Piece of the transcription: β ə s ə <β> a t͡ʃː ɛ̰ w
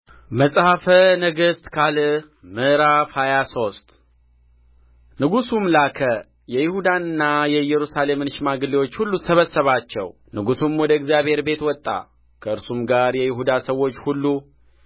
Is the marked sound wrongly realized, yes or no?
no